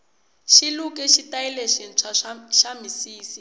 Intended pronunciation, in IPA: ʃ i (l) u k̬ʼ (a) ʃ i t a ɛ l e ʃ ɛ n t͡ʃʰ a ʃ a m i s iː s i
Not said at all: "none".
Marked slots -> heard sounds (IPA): l, ɛ

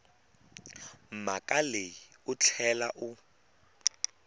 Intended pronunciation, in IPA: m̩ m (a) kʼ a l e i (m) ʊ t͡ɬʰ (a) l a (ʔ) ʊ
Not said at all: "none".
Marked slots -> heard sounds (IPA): a, none, ɛ, ʔ

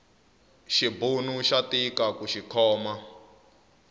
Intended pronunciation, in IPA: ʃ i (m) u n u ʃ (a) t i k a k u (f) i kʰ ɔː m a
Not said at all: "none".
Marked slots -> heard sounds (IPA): b, a, ʃ

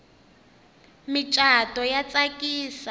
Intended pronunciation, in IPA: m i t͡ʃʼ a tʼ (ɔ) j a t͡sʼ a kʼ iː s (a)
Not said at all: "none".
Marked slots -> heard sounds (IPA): ɔ, a

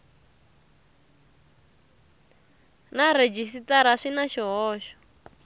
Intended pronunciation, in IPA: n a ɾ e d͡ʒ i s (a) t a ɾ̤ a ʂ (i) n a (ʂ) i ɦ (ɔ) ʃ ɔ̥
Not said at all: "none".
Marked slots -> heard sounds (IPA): i, i, ʃ, ɔː

